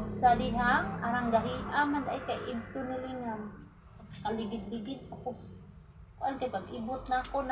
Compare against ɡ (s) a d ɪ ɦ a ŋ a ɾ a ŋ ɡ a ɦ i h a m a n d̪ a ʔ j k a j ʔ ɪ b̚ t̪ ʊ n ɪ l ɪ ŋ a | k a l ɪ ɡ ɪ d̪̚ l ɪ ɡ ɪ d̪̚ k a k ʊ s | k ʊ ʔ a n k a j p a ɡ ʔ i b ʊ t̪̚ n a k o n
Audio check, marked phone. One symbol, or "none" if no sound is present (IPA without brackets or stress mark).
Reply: s